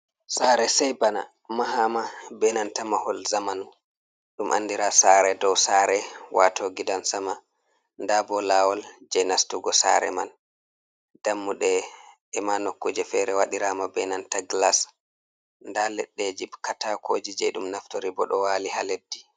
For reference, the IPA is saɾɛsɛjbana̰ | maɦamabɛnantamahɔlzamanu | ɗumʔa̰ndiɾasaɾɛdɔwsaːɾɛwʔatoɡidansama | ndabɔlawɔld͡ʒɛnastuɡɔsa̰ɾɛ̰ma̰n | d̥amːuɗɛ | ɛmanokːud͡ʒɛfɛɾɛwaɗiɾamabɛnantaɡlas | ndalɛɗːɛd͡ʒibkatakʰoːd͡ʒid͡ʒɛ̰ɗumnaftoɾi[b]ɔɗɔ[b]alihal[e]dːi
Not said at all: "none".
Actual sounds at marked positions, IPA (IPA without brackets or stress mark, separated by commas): b, w, e